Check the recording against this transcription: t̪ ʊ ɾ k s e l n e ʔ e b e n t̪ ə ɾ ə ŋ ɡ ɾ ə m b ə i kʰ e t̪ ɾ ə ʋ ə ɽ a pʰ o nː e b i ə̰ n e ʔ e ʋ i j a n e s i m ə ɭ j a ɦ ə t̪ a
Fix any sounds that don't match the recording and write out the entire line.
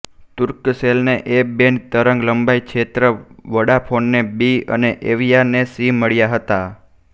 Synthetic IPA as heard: t̪ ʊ ɾ k s e l n e ʔ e b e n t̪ ə ɾ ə ŋ ɡ l ə m b a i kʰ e t̪ ɾ ə ʋ ə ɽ a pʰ o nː e b i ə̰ n e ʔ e ʋ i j a n e s i m ə ɭ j a ɦ ə t̪ a